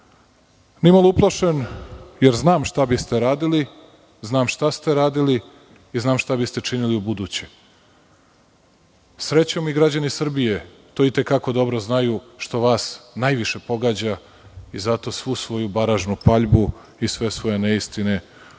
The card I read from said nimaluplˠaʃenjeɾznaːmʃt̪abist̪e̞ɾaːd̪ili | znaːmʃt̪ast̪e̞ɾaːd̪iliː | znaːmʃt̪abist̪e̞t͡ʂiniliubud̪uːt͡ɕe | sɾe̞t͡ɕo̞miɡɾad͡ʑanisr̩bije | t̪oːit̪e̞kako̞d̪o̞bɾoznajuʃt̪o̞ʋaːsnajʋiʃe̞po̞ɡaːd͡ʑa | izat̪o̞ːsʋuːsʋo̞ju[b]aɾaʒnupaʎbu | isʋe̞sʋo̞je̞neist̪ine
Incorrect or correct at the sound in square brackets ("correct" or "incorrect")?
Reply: correct